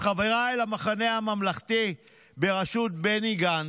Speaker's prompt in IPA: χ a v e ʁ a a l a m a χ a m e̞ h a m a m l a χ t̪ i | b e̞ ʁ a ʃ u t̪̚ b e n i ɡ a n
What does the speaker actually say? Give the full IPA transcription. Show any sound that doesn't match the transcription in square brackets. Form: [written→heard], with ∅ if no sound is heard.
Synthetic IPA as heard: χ a v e ʁ a [a→e] l a m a χ a [m→n] e̞ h a m a m l a χ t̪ i | b e̞ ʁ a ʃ u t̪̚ b e n i ɡ a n